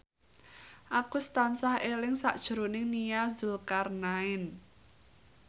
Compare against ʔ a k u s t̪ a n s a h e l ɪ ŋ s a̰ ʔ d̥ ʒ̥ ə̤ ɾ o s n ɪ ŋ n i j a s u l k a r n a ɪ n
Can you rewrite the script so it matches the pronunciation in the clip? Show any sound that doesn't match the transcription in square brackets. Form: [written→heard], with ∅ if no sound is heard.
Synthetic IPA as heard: ʔ a k u s t̪ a n s a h e l ɪ ŋ s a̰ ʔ d̥ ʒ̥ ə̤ ɾ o [s→∅] n ɪ ŋ n i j a [s→z] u l k a r n a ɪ n

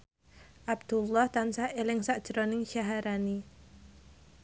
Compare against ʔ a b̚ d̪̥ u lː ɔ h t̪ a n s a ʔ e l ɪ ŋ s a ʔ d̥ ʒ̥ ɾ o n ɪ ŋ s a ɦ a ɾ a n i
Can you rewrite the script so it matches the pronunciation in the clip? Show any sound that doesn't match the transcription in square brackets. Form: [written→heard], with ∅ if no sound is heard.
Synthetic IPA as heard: ʔ a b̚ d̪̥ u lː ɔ h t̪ a n s a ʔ e l ɪ ŋ s a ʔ d̥ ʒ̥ ɾ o n ɪ ŋ [s→ʃ] a ɦ a ɾ a n i

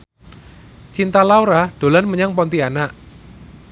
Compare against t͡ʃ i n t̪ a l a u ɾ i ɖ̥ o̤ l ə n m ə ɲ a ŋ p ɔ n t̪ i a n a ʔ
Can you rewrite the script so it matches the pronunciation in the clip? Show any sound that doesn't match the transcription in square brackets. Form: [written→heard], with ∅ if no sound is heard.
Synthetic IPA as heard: t͡ʃ i n t̪ a l a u ɾ [i→a] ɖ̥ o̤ l [ə→a] n m ə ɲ a ŋ p ɔ n t̪ i a n a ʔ

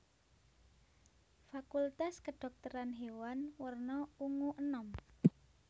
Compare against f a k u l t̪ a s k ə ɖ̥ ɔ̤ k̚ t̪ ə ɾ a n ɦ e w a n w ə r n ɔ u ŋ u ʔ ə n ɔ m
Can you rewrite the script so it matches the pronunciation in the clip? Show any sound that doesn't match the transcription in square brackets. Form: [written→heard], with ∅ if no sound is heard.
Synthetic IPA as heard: f a k u l t̪ a s k ə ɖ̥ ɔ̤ k̚ t̪ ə ɾ a n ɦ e w a n w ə r n ɔ u ŋ u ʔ ə n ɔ m

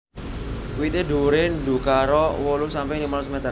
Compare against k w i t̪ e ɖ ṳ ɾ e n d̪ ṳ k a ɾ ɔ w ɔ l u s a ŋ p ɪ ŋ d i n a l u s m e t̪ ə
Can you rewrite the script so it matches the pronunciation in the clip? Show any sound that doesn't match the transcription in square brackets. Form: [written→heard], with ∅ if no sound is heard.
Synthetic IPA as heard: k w i t̪ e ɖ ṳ ɾ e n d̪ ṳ k a ɾ ɔ w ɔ l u s a [ŋ→m] p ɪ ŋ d i [n→m] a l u s m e t̪ ə

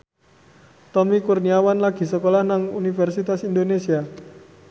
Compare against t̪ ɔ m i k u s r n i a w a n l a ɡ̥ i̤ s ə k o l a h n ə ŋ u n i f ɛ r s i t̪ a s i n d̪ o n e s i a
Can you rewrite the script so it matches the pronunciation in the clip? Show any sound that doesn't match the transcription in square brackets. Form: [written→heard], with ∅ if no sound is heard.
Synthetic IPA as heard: t̪ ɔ m i k u [s→∅] r n i a w a n l a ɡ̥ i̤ s ə k o l a h n [ə→a] ŋ u n i f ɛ r s i t̪ a s i n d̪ o n e s i a

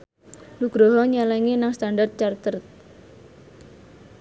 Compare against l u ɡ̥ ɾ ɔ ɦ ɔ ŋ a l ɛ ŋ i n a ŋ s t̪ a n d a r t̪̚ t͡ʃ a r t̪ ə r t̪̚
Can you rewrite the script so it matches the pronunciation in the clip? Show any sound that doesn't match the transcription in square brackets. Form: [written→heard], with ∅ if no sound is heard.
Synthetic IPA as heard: l u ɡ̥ ɾ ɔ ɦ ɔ [ŋ→ɲ] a l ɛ ŋ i n a ŋ s t̪ a n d a r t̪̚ t͡ʃ a r t̪ ə r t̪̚

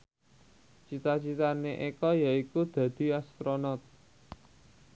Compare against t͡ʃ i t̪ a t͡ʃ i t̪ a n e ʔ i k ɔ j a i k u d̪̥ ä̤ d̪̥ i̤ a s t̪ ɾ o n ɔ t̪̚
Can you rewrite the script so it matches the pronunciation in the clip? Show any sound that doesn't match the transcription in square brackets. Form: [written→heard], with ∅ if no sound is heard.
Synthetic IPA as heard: t͡ʃ i t̪ a t͡ʃ i t̪ a n e ʔ [i→e] k ɔ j a i k u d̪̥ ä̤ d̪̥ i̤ a s t̪ ɾ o n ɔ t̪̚

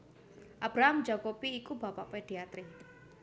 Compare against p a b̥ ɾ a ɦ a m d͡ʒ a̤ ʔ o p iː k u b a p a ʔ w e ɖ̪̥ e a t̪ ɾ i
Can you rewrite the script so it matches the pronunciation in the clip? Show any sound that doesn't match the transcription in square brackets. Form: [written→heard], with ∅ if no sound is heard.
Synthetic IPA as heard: [p→ʔ] a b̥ ɾ a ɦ a m d͡ʒ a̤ [ʔ→k] o p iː k u b a p a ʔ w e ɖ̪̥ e a t̪ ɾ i

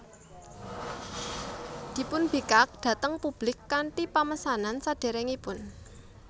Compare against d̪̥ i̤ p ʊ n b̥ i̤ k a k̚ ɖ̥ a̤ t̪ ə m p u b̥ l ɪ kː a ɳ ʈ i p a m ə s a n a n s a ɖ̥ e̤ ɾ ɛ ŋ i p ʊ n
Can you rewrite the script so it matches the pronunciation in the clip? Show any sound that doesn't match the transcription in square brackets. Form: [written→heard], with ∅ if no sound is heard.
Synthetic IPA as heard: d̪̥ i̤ p ʊ n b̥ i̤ k a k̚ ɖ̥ a̤ t̪ ə [m→ŋ] p u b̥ l ɪ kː a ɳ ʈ i p a m ə s a n a n s a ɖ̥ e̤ ɾ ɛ ŋ i p ʊ n

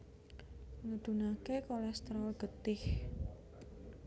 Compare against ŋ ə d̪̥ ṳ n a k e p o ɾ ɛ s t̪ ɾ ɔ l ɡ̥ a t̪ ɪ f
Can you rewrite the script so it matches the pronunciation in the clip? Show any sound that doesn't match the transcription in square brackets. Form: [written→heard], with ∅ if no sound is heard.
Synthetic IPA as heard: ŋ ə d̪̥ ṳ n a k e [p→k] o [ɾ→l] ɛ s t̪ ɾ ɔ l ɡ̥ [a→ə] t̪ ɪ [f→h]

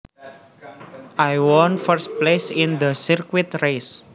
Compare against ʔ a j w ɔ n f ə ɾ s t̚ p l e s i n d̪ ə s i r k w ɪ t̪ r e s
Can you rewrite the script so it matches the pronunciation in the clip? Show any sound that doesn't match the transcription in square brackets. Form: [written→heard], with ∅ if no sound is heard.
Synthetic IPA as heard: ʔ a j w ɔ n f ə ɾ s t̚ p l e s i n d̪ ə s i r k w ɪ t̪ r e s

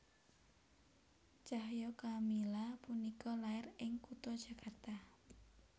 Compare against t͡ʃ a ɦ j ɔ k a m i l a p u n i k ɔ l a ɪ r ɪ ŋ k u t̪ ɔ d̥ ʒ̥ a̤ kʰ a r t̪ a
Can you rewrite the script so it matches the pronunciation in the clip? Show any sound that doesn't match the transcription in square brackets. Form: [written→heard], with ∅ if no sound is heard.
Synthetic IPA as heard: t͡ʃ a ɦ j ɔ k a m i l a p u n i k ɔ l a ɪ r ɪ ŋ k u t̪ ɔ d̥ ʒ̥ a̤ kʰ a r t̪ a

